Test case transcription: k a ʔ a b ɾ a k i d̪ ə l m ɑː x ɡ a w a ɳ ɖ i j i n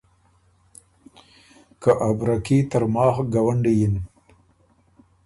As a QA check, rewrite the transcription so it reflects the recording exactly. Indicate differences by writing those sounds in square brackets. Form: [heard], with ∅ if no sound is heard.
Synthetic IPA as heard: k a ʔ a b ɾ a k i [t̪] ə [ɾ] m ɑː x ɡ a w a ɳ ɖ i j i n